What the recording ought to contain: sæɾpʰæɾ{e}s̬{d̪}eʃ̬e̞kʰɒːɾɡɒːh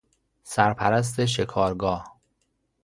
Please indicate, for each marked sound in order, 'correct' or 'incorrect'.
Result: incorrect, incorrect

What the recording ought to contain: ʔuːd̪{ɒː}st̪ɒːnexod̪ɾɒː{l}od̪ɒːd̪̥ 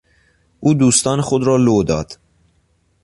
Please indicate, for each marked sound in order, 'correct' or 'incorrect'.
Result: incorrect, correct

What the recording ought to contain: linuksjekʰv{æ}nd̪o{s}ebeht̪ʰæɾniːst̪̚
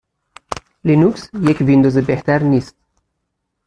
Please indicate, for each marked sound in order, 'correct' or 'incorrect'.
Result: incorrect, incorrect

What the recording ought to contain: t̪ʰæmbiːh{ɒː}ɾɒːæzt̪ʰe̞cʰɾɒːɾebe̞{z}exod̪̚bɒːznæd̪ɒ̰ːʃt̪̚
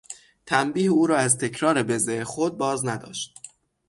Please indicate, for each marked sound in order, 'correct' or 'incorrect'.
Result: incorrect, correct

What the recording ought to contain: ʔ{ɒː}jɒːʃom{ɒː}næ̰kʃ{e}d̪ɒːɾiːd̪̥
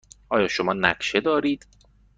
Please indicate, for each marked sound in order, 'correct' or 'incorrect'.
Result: correct, correct, correct

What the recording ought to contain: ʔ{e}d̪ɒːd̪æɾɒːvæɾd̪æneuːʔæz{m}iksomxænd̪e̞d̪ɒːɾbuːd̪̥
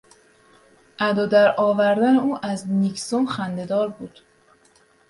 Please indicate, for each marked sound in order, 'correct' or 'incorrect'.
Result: incorrect, incorrect

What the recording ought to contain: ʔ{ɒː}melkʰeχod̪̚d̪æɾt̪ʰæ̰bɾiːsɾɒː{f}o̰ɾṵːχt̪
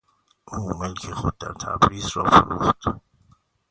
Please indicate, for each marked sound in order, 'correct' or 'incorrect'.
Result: incorrect, correct

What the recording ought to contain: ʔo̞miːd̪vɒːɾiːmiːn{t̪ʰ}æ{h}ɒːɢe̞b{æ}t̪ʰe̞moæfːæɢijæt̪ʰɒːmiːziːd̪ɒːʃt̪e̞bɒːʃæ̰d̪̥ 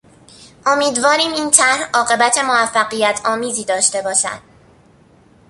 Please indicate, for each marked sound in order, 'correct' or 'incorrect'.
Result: correct, correct, correct

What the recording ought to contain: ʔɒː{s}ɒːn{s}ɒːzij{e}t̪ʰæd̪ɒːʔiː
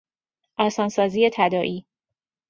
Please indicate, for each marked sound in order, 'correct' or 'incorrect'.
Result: correct, correct, correct

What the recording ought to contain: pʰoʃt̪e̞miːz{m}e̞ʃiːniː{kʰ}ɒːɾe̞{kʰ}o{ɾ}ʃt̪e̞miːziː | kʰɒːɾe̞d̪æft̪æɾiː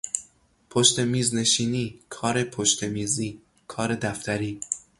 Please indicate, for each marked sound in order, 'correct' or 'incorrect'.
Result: incorrect, correct, incorrect, incorrect

